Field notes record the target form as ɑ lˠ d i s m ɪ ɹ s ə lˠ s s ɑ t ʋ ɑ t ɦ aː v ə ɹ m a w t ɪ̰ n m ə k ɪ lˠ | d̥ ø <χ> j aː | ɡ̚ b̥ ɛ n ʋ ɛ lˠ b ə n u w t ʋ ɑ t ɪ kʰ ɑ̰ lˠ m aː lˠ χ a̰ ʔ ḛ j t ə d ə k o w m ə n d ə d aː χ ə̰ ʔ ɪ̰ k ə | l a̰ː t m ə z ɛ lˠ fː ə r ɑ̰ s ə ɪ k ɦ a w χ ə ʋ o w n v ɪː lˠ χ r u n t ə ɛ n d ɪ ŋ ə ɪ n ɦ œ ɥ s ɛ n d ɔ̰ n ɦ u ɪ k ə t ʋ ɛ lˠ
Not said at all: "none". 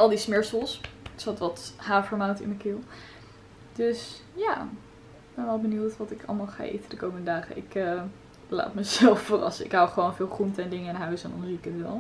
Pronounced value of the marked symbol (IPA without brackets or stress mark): s